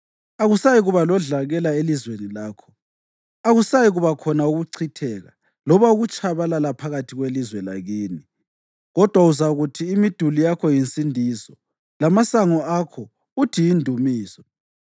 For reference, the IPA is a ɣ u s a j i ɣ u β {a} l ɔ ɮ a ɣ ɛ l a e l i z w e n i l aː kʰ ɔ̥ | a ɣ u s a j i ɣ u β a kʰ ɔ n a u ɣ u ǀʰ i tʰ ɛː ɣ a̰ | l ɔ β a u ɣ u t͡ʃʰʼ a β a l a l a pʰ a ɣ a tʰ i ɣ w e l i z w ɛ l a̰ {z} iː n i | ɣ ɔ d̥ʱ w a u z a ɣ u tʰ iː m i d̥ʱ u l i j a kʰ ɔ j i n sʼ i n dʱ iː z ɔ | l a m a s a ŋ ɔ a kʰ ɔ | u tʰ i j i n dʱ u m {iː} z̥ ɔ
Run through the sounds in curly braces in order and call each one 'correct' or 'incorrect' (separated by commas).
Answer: correct, incorrect, correct